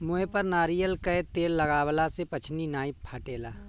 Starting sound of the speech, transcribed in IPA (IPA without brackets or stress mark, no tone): m